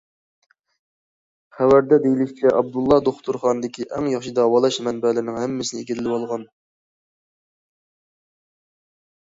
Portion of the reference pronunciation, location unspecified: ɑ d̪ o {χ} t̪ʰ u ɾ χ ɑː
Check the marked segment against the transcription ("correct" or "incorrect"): correct